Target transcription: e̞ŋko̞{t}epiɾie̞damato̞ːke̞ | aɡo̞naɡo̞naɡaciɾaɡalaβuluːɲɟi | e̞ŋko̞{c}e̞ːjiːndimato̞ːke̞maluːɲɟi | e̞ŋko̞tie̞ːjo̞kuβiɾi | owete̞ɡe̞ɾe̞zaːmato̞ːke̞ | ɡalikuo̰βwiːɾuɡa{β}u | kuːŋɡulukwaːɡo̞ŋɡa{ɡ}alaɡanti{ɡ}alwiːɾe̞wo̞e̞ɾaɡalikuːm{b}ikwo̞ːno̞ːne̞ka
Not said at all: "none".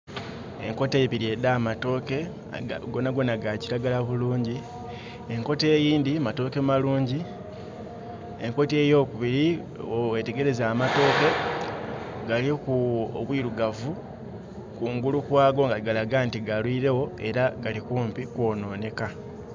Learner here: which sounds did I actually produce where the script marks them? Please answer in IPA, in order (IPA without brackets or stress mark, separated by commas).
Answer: t, t, v, ɡ, ɡ, p